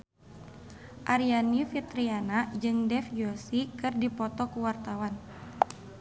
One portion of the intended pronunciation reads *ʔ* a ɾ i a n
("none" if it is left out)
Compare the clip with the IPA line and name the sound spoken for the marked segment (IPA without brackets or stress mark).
ʔ